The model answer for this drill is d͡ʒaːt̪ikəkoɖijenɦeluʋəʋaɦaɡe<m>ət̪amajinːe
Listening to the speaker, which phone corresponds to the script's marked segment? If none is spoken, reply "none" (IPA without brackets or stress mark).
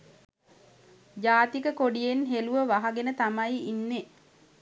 n